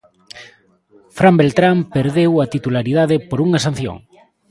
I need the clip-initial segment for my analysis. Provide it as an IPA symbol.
f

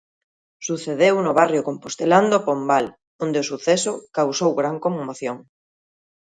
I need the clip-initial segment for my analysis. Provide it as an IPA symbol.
s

